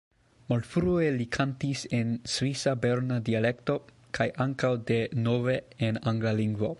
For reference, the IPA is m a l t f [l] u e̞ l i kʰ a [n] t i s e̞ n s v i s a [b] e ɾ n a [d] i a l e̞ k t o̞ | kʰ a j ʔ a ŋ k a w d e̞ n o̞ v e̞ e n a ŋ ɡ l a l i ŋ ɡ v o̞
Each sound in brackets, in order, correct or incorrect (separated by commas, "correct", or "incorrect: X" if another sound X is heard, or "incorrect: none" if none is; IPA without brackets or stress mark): incorrect: ɾ, correct, correct, correct